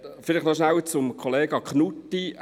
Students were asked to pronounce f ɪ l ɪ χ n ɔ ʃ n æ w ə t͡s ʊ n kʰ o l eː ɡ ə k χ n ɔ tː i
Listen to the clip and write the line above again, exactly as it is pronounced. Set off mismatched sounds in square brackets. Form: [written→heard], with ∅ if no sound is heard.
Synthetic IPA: f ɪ l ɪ χ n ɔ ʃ n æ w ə t͡s ʊ [n→m] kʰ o l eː ɡ [ə→ɑ] k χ n [ɔ→u] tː i